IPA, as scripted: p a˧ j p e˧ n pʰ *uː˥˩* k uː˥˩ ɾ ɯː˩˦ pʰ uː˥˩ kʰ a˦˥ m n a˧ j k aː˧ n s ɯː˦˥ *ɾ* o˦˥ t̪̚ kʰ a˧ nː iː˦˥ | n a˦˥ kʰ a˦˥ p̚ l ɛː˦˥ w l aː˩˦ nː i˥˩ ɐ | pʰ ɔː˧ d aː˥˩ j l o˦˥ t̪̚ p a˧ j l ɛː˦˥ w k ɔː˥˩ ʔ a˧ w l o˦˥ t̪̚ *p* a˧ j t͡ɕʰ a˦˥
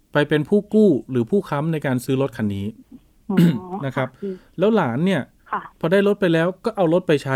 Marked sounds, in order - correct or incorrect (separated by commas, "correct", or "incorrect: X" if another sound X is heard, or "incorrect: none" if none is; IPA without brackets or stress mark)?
correct, incorrect: l, correct